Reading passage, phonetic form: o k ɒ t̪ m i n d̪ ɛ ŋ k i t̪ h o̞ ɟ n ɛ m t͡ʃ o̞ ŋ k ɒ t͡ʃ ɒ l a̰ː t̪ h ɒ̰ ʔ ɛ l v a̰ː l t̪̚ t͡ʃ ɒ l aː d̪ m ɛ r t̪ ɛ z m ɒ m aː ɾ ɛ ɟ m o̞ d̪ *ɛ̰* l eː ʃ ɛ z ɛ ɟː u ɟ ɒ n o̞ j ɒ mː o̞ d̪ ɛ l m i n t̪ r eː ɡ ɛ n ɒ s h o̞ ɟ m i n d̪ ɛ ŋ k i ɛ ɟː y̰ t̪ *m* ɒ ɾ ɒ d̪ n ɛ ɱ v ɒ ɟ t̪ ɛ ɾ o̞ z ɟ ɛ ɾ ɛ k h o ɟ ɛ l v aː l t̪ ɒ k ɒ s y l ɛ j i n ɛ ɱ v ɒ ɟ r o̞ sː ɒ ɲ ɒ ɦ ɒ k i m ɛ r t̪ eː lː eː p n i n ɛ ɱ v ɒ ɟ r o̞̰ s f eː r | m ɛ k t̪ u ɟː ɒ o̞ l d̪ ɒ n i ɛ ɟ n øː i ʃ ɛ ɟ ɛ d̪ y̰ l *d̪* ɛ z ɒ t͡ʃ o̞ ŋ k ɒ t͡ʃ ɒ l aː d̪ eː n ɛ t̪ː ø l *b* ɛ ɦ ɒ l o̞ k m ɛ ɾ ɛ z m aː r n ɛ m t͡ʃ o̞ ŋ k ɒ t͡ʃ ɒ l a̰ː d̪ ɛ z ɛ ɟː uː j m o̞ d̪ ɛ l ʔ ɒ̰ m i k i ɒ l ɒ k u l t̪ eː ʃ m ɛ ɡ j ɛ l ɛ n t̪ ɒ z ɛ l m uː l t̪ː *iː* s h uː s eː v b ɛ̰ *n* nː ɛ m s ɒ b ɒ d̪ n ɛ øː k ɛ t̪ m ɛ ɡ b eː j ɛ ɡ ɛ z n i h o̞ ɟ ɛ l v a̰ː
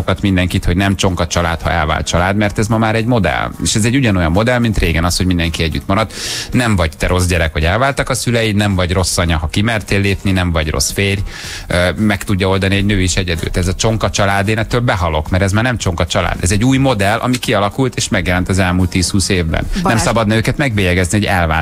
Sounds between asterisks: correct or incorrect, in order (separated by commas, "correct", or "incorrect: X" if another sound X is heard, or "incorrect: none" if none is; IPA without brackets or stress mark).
correct, correct, incorrect: t̪, correct, correct, correct